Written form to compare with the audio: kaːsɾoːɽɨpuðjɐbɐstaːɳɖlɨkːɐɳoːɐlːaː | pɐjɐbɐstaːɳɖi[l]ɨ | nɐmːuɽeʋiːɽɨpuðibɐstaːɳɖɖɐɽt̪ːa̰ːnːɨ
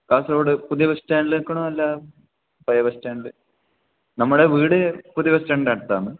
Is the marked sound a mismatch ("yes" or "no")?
no